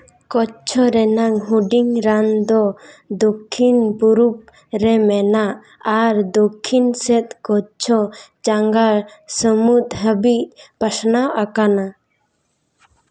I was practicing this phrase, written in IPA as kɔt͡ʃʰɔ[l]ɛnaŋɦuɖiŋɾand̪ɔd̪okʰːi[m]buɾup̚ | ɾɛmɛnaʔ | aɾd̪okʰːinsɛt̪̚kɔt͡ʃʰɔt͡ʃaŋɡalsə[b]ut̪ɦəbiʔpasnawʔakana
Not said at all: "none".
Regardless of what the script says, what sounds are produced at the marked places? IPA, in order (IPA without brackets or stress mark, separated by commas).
ɾ, n, m